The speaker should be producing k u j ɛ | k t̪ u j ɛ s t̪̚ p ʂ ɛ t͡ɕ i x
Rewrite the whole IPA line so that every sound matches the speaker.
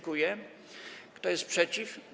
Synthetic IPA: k u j ɛ | k t̪ ɔ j ɛ s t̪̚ p ʂ ɛ t͡ɕ i f

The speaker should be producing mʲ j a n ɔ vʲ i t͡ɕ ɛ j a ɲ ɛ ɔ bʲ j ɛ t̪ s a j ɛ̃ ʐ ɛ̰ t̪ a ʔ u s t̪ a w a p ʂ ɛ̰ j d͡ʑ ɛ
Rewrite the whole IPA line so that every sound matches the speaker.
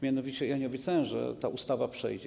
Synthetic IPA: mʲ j a n ɔ vʲ i t͡ɕ ɛ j a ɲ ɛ ɔ bʲ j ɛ t̪ s a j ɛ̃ ʐ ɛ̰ t̪ a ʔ u s t̪ a v a p ʂ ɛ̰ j d͡ʑ ɛ

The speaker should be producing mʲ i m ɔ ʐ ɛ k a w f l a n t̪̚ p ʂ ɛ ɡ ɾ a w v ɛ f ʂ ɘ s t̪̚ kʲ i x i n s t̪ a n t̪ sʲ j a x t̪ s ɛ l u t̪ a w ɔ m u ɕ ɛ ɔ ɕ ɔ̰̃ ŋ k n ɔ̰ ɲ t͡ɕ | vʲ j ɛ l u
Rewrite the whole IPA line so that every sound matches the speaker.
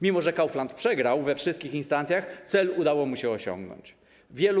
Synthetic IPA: mʲ i m ɔ ʐ ɛ k a w f l a n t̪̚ p ʂ ɛ ɡ ɾ a w v ɛ f ʂ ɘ s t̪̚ kʲ i x i n s t̪ a n t̪ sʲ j a x t̪ s ɛ l u d̪ a w ɔ m u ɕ ɛ ɔ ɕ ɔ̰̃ ŋ ɡ n ɔ̰ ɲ t͡ɕ | vʲ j ɛ l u

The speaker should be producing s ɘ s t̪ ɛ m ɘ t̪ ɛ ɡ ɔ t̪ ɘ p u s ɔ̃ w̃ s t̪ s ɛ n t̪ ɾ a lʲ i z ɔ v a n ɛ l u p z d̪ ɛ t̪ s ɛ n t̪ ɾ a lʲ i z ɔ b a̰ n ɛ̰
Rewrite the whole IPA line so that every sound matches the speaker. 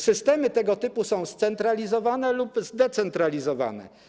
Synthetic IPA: s ɘ s t̪ ɛ m ɘ t̪ ɛ ɡ ɔ t̪ ɘ p u s ɔ̃ w̃ s t̪ s ɛ n t̪ ɾ a lʲ i z ɔ v a n ɛ l u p z d̪ ɛ t̪ s ɛ n t̪ ɾ a lʲ i z ɔ v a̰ n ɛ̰

